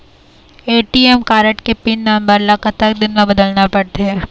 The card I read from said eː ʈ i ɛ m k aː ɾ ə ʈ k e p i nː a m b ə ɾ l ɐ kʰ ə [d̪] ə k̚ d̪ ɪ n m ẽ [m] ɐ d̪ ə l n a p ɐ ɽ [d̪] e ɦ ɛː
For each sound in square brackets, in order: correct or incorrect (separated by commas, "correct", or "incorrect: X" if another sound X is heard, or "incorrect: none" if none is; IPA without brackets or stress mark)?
incorrect: t̪, incorrect: b, incorrect: t̪